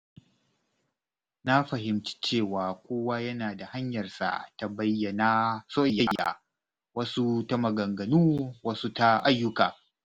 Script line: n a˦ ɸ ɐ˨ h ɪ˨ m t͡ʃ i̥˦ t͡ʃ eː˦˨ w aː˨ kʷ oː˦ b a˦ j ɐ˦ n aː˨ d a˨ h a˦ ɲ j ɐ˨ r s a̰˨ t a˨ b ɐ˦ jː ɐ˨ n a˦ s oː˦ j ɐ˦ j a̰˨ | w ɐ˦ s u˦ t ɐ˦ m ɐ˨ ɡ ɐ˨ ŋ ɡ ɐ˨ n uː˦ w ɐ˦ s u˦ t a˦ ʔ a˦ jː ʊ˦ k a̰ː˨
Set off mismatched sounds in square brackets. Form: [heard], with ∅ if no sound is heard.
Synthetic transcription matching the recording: n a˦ ɸ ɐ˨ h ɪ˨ m t͡ʃ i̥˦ t͡ʃ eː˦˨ w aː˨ kʷ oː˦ [w] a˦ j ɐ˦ n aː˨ d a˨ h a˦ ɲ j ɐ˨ r s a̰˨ t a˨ b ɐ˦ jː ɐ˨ n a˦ s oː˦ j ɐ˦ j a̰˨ | w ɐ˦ s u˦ t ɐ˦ m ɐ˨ ɡ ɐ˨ ŋ ɡ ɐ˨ n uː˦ w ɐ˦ s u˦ t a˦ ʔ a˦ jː ʊ˦ k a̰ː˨